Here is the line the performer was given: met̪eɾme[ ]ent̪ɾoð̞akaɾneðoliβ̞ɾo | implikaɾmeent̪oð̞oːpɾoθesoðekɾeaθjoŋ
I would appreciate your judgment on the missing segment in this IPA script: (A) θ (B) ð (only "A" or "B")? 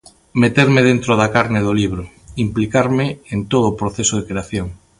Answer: B